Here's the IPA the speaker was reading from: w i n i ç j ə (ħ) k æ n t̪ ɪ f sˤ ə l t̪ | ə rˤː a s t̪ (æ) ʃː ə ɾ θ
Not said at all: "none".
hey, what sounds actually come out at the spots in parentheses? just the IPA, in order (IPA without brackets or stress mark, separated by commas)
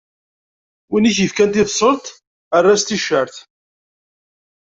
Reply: f, i